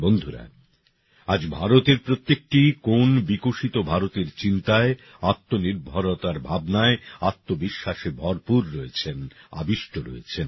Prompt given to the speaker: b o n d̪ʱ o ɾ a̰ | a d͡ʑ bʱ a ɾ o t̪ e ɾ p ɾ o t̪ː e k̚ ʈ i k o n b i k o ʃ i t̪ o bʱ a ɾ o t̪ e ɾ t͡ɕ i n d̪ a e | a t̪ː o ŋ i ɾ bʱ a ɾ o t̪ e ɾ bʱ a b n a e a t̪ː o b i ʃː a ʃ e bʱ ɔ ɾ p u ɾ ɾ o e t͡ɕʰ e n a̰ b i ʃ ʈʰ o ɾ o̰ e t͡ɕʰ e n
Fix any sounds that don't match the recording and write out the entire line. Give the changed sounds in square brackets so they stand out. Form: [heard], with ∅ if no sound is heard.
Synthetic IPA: b o n d̪ʱ [u] ɾ a̰ | a d͡ʑ bʱ a ɾ o t̪ e ɾ p ɾ o t̪ː e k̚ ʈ i k o n b i k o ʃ i t̪ o bʱ a ɾ o t̪ e ɾ t͡ɕ i n [t̪] a e | a t̪ː o [n] i ɾ bʱ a ɾ o t̪ [a] ɾ bʱ a b n a e a t̪ː o b i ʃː a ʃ e bʱ ɔ ɾ p u ɾ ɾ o e t͡ɕʰ e n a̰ b i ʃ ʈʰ o ɾ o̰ e t͡ɕʰ e n